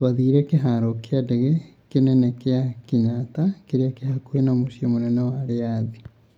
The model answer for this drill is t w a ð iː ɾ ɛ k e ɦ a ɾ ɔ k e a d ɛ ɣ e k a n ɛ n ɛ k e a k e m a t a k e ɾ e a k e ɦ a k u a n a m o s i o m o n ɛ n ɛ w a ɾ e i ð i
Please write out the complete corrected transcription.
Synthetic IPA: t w a ð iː ɾ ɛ k e ɦ a ɾ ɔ k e a d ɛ ɣ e k e n ɛ n ɛ k e a k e ɲ a t a k e ɾ e a k e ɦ a k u e n a m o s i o m o n ɛ n ɛ w a ɾ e a ð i